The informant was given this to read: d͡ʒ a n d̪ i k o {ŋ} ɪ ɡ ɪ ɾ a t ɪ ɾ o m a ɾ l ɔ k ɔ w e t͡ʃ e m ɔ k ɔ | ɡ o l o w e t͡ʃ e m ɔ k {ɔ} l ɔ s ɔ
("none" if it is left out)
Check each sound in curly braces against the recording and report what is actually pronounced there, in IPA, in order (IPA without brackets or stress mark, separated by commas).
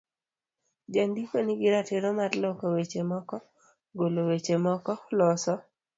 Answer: n, ɔ